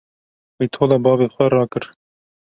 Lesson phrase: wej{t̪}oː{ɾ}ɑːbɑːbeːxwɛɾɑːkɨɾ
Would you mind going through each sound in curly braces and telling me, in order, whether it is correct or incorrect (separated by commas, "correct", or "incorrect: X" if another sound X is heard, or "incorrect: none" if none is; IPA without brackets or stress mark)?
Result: incorrect: t̪ʰ, incorrect: l